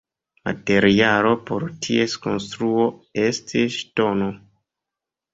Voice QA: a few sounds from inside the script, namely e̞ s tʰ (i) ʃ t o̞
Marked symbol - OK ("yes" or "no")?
yes